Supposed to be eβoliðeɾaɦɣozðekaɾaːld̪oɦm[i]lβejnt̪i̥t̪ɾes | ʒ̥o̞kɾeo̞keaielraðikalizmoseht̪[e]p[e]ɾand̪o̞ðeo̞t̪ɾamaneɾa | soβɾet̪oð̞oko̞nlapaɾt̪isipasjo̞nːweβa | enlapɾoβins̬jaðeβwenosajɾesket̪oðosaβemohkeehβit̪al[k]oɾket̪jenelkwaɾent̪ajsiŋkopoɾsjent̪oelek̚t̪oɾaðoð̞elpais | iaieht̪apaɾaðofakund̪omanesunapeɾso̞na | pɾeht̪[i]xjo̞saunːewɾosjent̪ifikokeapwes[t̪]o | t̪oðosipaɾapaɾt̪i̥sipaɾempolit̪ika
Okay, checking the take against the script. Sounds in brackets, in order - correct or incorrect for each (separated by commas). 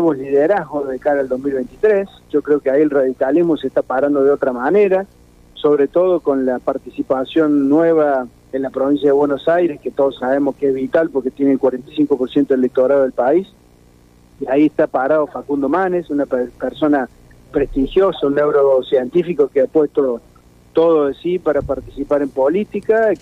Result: correct, incorrect, incorrect, incorrect, correct, correct